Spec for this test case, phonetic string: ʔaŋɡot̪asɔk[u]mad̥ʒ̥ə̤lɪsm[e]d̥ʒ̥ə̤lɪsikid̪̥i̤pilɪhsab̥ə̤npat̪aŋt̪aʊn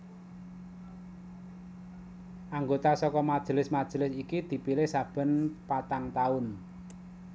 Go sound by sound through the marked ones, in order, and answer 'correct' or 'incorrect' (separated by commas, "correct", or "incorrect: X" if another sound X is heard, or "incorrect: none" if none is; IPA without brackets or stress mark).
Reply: incorrect: ɔ, incorrect: a